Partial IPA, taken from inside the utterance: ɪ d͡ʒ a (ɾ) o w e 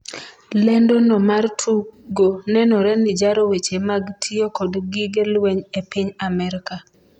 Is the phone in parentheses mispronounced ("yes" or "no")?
no